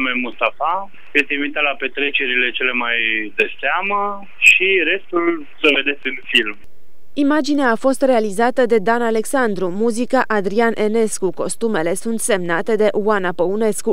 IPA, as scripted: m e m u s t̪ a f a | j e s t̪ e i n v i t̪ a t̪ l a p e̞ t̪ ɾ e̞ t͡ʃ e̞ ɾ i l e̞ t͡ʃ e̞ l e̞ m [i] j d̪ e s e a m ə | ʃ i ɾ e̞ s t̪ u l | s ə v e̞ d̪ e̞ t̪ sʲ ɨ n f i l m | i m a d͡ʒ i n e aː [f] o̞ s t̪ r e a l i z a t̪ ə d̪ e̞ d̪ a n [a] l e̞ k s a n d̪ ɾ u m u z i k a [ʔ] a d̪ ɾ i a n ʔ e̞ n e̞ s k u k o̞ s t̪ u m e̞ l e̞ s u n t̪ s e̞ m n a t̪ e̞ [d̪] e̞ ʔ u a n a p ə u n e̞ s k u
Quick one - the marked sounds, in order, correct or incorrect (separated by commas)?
incorrect, correct, correct, correct, correct